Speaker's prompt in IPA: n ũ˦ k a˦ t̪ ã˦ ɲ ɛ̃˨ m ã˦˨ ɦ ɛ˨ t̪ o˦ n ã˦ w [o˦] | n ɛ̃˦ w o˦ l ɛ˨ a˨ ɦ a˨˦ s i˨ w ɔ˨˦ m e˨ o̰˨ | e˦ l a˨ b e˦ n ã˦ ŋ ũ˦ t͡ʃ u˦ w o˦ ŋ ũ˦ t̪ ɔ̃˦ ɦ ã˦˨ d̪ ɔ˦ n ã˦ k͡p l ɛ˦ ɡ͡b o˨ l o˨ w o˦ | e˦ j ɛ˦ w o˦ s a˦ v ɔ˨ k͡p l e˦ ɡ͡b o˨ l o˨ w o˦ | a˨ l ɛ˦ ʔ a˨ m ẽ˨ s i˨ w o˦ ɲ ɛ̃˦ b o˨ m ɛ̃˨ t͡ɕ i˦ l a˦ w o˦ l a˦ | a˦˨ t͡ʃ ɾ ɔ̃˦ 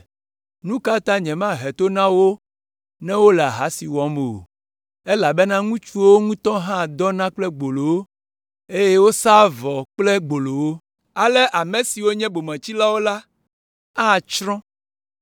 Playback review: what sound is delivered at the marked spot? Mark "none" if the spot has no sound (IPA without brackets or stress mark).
o˦